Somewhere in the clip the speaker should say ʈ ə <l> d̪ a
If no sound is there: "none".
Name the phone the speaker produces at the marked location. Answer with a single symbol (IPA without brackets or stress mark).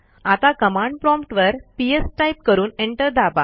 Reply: ɾ